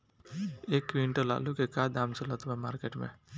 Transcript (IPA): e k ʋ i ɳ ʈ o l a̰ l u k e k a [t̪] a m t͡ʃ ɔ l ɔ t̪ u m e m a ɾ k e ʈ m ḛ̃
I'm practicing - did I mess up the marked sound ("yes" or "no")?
yes